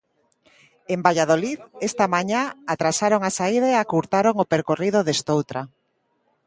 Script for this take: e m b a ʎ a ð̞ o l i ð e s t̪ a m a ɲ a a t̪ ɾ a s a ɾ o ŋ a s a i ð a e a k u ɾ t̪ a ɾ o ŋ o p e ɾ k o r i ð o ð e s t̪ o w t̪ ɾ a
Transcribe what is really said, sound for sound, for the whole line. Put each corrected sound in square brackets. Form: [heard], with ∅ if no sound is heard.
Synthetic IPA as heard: e m b a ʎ a ð̞ o l i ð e s t̪ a m a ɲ a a t̪ ɾ a s a ɾ o ŋ a s a i ð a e a k u ɾ t̪ a ɾ o ŋ o p e ɾ k o r i ð o ð e s t̪ o w t̪ ɾ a